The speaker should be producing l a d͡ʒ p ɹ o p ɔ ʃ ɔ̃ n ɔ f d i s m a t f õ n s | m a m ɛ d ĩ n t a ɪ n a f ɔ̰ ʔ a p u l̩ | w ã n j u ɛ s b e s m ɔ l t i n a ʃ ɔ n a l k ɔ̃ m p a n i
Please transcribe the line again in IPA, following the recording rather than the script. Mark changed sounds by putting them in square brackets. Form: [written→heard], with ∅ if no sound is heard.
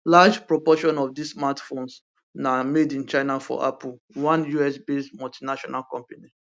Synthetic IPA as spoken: l a d͡ʒ p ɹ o p ɔ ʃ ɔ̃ n ɔ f d i s m a t f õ n s | [m→n] a m [ɛ→e] d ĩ n [t→t͡ʃ] a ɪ n a f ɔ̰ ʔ a p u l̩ | w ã n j u ɛ s b e s m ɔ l t i n a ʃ ɔ n a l k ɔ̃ m p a n i